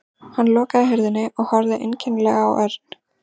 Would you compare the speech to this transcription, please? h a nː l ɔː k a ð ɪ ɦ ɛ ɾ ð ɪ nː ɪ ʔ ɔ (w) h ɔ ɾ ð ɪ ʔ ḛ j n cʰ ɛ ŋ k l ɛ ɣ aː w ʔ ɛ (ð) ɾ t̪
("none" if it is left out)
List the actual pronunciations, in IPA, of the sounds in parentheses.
ɣ, none

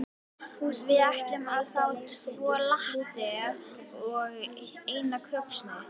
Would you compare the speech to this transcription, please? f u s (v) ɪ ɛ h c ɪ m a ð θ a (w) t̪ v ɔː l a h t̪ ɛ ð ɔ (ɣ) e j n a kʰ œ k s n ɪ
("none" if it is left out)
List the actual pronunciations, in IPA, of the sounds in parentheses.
v, w, ɣ

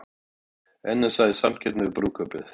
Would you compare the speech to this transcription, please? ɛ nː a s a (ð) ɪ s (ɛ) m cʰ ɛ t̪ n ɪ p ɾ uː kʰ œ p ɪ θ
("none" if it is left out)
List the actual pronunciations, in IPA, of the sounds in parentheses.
ð, a

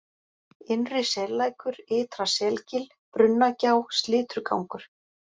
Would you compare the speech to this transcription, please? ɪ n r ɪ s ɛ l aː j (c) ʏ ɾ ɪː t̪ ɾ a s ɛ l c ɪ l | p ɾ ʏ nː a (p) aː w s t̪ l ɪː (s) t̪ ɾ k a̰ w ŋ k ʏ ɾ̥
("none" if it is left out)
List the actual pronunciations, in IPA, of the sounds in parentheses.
k, c, none

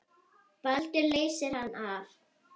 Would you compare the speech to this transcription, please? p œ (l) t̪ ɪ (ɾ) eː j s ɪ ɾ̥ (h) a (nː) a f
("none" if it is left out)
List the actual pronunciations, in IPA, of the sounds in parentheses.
l, l, h, nː

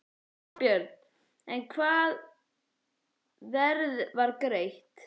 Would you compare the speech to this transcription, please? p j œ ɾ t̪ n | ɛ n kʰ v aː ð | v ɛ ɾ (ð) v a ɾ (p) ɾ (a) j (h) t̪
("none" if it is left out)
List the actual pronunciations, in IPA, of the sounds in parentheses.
ð, k, e, h

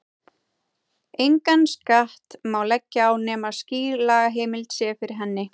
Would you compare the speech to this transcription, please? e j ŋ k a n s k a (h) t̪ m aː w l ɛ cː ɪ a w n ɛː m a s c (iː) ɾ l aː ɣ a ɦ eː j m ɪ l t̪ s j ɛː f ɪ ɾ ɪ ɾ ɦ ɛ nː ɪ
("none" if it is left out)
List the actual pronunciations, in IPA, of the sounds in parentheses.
h, iː

